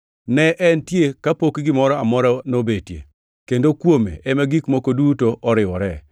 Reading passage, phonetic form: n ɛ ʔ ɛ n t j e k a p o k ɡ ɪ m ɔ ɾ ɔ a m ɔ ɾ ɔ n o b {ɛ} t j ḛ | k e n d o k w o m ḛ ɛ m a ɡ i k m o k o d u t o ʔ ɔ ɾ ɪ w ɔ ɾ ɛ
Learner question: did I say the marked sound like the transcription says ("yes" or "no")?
no